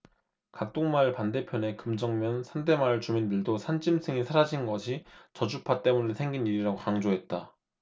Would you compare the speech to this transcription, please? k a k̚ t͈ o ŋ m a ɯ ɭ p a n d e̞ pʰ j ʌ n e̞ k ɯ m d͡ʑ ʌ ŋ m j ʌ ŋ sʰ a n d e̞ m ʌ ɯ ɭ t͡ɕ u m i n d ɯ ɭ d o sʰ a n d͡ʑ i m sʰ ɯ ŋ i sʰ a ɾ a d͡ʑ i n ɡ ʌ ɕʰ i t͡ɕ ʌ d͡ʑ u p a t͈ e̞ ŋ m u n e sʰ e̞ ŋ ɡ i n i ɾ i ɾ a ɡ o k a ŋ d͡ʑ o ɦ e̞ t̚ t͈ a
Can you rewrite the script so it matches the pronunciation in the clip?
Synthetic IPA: k a k̚ t͈ o ŋ m a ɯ ɭ p a n d e̞ pʰ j ʌ n e̞ k ɯ m d͡ʑ ʌ ŋ m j ʌ n sʰ a n d e̞ m a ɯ ɭ t͡ɕ u m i n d ɯ ɭ d o sʰ a n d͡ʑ i m sʰ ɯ ŋ i sʰ a ɾ a d͡ʑ i n ɡ ʌ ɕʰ i t͡ɕ ʌ d͡ʑ u pʰ a t͈ e̞ m u n e sʰ e̞ ŋ ɡ i n i ɾ i ɾ a ɡ o k a ŋ d͡ʑ o ɦ e̞ t̚ t͈ a